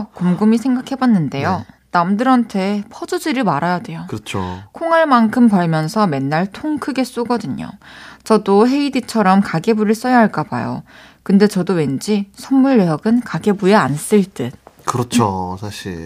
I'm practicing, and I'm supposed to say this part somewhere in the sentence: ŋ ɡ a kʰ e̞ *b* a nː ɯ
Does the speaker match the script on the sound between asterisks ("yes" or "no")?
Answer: yes